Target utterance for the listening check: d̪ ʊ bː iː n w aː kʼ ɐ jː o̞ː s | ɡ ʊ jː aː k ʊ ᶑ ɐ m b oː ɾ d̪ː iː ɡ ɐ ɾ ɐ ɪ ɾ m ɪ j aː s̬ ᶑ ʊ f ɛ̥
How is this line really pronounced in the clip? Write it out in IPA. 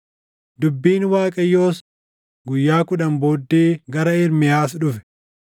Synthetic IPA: d̪ ʊ bː iː n w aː kʼ ɐ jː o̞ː s | ɡ ʊ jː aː k ʊ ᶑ ɐ m b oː d̪ː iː ɡ ɐ ɾ ɐ ɪ ɾ m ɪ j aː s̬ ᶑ ʊ f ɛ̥